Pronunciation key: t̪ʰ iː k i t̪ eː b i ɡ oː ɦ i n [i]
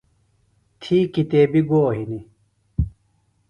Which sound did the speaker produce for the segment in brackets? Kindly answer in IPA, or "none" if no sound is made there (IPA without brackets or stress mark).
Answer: i